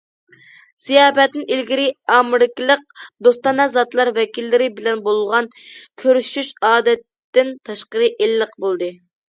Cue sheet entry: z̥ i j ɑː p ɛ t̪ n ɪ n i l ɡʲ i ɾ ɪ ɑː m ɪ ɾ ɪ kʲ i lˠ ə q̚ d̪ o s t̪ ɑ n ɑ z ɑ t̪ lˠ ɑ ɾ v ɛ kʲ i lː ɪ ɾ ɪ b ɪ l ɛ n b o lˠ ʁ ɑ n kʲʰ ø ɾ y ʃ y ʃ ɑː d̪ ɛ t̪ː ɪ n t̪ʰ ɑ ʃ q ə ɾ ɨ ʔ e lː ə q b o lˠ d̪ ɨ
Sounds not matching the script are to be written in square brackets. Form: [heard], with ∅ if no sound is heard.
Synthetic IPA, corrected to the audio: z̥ i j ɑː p ɛ t̪ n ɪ n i l ɡʲ i ɾ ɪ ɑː m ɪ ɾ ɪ kʲ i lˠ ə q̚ d̪ o s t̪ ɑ n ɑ z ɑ t̪ lˠ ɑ ɾ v ɛ kʲ i lː ɪ ɾ ɪ b ɪ l ɛ n b o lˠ ʁ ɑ n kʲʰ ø ɾ y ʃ y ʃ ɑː d̪ ɛ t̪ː ɪ n t̪ʰ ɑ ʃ q ə ɾ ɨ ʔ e lː ə q b o lˠ d̪ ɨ